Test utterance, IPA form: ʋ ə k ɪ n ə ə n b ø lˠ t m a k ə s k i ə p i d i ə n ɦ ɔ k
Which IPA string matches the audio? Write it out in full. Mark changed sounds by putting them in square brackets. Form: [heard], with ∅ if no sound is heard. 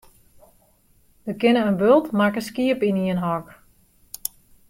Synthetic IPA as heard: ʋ ə k ɪ n ə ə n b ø lˠ t m a k ə s k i ə p i [n] i ə n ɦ ɔ k